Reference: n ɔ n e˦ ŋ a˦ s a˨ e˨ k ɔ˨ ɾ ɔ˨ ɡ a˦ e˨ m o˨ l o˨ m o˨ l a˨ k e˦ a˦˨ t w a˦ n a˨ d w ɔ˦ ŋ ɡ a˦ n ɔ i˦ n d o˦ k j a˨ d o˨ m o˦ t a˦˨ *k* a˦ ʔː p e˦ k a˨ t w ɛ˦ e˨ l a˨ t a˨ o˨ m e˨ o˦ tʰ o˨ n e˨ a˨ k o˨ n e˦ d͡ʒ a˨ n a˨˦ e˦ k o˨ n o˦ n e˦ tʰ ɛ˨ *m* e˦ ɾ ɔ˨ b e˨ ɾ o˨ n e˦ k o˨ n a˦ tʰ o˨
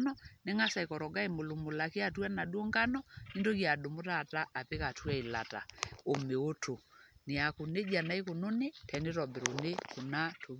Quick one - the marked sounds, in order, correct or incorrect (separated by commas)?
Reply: incorrect, incorrect